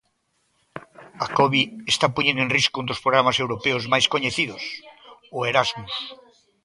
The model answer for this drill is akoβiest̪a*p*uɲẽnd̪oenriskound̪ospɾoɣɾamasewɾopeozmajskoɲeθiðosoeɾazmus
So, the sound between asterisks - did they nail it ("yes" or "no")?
yes